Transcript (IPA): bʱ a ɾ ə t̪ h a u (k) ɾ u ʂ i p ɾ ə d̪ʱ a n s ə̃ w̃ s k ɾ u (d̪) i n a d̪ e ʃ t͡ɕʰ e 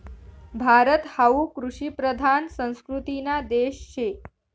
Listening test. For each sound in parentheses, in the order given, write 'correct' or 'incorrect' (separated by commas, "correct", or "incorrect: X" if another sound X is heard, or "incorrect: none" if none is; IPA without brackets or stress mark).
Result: correct, incorrect: t̪